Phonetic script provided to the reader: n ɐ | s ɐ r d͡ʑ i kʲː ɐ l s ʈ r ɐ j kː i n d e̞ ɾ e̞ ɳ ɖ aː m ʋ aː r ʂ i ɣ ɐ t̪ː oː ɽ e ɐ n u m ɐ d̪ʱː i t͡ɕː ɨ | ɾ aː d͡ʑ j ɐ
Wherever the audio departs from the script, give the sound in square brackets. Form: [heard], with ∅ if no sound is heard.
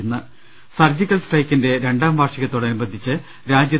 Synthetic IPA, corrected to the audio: [nː] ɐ | s ɐ r d͡ʑ i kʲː ɐ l s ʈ r ɐ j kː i n d e̞ ɾ e̞ ɳ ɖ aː m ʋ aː r ʂ i ɣ ɐ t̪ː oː ɽ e ɐ n u [b] ɐ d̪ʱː i t͡ɕː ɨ | ɾ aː d͡ʑ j ɐ